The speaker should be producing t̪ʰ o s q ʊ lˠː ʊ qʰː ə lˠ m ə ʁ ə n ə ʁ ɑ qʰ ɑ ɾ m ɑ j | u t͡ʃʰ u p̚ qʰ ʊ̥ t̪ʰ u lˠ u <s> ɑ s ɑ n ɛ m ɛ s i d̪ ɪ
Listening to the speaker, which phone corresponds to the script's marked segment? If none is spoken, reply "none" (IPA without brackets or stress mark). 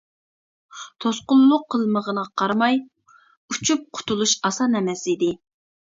ʃ